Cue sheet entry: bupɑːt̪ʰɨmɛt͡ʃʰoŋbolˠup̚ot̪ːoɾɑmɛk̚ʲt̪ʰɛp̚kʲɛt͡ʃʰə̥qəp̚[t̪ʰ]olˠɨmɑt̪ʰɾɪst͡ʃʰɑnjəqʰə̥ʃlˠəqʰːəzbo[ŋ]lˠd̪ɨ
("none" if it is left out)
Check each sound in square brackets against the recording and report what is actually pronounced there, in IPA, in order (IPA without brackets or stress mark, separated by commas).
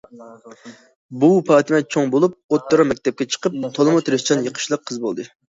t̪ʰ, none